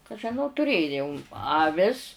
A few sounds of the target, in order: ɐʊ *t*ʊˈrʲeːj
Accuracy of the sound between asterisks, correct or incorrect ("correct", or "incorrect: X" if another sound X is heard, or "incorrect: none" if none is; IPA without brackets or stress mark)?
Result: correct